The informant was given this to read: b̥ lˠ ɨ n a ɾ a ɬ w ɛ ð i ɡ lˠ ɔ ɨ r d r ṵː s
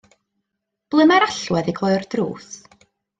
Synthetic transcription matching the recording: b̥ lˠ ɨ m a ɾ a ɬ w ɛ ð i ɡ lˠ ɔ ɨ r d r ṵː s